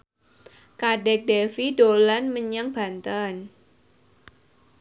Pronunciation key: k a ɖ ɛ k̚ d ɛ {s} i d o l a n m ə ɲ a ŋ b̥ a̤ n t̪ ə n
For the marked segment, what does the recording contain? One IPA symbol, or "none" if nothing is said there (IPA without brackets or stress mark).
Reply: f